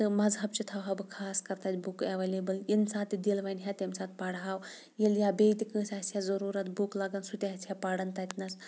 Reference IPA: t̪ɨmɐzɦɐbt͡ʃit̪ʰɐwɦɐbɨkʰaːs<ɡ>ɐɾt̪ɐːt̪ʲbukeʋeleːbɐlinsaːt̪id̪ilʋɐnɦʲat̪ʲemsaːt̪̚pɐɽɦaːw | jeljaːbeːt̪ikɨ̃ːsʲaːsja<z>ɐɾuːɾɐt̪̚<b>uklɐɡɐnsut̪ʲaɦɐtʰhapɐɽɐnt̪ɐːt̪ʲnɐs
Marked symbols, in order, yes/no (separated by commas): no, yes, yes